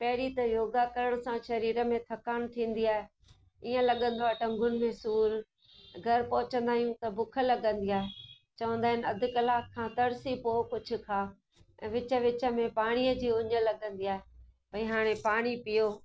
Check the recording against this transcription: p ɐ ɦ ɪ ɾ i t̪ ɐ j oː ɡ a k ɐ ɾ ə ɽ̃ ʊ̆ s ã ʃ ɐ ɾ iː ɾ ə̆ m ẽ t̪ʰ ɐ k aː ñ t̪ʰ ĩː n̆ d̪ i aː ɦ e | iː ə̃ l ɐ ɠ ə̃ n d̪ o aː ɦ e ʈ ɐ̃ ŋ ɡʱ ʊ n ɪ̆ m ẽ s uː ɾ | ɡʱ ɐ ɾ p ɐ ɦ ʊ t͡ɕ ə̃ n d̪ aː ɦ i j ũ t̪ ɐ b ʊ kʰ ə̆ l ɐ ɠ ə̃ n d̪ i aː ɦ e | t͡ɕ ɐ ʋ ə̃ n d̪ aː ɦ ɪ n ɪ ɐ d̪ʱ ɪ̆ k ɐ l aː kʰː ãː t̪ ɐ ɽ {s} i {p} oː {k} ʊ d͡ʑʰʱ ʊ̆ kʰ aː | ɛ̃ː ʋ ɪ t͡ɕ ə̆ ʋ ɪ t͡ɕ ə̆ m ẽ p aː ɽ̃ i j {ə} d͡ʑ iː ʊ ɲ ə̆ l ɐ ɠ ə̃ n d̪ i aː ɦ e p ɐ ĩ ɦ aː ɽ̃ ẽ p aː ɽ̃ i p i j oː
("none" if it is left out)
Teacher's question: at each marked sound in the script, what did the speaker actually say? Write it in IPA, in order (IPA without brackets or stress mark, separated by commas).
s, p, k, ə